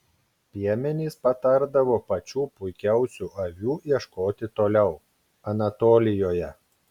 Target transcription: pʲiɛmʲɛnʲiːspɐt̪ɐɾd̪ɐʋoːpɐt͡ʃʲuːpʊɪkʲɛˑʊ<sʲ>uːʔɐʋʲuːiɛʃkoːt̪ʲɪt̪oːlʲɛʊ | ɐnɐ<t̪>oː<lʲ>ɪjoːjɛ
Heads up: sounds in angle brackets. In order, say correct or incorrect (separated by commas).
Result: correct, correct, correct